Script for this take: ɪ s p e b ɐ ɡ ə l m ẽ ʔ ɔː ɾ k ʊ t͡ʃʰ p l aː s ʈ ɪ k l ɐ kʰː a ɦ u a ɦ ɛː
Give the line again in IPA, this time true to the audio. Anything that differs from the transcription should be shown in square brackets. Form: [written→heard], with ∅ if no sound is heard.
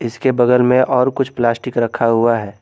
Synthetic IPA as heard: ɪ s [p→k] e b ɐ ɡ ə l m ẽ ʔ ɔː ɾ k ʊ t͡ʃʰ p l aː s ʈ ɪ k [l→ɾ] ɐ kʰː a ɦ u a ɦ ɛː